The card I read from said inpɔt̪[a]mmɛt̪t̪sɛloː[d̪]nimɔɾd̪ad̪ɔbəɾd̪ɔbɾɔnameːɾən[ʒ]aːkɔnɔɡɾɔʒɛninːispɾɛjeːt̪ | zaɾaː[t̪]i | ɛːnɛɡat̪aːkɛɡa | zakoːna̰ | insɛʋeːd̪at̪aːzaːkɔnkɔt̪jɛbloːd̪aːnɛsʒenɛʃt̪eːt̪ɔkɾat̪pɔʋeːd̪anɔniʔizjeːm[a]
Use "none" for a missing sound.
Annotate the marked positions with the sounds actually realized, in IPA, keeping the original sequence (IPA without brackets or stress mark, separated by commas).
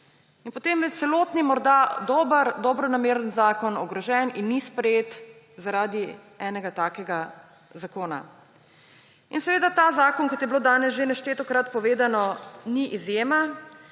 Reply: e, t̪, z, d̪, a